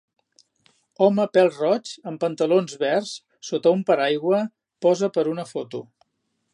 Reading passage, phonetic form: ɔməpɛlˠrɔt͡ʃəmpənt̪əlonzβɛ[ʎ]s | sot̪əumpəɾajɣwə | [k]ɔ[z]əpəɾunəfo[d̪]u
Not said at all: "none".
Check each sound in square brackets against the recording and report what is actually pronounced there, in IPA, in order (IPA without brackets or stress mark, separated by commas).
r, p, z, t̪